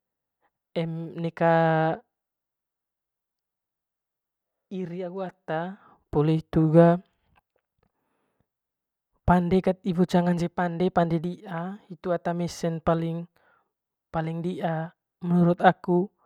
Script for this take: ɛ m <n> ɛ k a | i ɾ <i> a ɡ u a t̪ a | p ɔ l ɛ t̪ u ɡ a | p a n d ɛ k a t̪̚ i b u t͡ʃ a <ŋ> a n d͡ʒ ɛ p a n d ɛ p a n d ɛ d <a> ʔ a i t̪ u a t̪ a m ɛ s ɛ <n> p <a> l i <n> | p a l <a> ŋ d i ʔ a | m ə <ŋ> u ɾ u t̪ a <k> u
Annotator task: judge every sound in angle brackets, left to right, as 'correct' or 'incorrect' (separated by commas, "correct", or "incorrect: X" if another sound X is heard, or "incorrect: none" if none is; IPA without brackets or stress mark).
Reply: correct, correct, correct, incorrect: i, correct, correct, incorrect: ŋ, incorrect: i, incorrect: n, correct